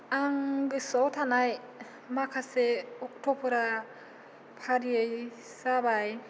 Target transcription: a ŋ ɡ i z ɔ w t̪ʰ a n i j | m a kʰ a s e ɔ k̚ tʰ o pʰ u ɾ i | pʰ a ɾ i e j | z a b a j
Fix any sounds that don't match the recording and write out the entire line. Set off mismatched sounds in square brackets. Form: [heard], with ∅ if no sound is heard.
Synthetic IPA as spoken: a ŋ ɡ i [s] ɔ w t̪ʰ a n [a] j | m a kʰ a s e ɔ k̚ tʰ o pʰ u ɾ [a] | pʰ a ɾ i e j | [s] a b a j